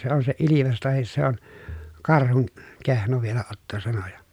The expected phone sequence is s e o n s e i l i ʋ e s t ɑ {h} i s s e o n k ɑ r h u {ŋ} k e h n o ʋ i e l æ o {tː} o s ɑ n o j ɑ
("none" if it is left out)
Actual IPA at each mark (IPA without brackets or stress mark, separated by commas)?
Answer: h, n, tː